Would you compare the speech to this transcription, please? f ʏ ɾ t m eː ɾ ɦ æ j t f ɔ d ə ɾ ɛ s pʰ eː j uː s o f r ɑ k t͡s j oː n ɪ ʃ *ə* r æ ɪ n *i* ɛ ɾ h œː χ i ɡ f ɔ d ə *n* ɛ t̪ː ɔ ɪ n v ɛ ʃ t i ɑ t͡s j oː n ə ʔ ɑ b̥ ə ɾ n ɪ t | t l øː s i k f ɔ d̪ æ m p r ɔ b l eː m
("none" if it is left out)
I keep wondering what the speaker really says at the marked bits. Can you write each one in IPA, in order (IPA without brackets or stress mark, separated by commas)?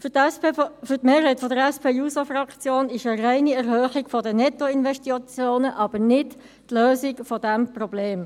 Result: ə, i, n